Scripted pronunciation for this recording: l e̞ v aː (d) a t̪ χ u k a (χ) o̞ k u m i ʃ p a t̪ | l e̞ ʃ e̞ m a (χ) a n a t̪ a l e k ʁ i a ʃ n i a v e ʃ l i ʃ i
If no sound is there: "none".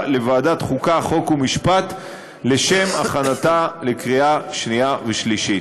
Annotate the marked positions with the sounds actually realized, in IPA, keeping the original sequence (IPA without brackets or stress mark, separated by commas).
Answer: d, χ, χ